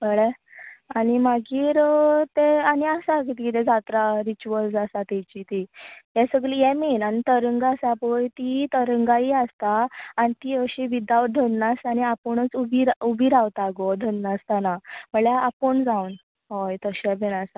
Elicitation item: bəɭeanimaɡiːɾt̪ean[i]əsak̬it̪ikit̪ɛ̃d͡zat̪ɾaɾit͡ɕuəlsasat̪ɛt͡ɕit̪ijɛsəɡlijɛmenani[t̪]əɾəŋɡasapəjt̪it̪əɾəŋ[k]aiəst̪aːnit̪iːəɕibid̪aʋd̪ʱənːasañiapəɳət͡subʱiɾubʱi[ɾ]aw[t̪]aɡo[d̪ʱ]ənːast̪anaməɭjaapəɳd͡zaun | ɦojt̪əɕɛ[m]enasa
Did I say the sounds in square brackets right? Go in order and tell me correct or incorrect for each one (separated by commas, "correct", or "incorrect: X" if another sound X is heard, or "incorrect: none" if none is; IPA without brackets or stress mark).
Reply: correct, correct, incorrect: ɡ, correct, correct, correct, incorrect: b